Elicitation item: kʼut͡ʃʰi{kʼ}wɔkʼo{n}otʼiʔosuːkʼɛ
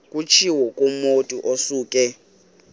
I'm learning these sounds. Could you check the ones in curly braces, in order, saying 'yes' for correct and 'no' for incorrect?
no, no

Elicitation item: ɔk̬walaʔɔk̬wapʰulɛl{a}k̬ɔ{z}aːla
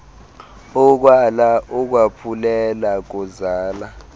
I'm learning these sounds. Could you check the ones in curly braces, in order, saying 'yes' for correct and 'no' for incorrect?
yes, yes

